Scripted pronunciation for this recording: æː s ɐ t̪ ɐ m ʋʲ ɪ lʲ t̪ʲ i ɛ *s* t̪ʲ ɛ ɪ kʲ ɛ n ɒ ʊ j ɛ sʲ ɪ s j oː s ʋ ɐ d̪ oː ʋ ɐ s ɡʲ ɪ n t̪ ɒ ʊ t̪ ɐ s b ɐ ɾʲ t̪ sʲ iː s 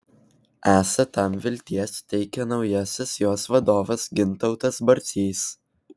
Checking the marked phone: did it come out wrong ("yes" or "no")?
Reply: no